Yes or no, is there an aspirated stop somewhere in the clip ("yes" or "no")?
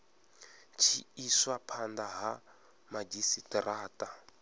yes